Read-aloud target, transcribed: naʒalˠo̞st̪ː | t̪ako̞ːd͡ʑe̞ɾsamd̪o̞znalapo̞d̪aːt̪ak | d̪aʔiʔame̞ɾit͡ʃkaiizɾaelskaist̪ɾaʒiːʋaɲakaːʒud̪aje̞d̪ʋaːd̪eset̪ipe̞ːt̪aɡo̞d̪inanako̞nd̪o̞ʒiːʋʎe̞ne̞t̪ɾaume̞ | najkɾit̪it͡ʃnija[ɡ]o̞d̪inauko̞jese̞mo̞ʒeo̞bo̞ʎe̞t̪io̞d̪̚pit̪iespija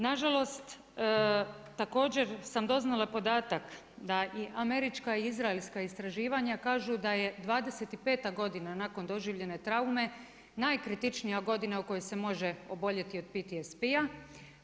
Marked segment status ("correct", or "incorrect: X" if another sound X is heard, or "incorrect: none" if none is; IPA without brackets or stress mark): correct